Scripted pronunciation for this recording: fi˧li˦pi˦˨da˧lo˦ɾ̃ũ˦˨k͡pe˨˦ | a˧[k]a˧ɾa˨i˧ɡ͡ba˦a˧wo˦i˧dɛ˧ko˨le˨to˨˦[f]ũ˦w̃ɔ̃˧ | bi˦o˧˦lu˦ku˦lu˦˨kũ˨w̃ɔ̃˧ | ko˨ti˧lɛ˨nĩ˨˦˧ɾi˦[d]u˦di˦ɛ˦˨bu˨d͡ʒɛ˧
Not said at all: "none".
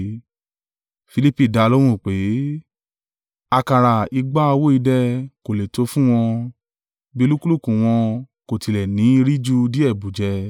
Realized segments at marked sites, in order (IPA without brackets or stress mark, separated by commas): k, f, d͡ʒ